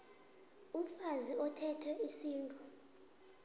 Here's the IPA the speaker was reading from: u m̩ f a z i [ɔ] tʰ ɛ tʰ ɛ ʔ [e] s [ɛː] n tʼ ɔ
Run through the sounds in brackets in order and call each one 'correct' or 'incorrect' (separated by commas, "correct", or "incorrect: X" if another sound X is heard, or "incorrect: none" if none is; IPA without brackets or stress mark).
correct, incorrect: i, incorrect: iː